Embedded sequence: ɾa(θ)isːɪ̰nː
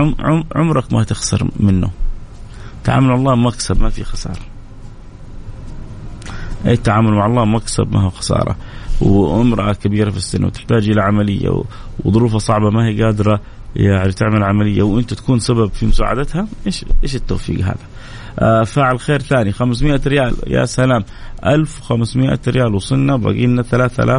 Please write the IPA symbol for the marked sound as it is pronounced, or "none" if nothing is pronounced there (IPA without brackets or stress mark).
f